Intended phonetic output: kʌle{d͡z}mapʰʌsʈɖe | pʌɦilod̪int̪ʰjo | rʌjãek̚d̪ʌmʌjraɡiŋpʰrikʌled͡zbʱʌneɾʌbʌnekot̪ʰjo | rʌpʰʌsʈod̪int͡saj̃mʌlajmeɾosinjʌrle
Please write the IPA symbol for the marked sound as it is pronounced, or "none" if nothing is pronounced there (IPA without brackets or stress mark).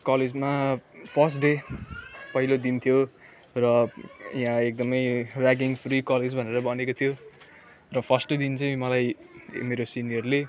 d͡z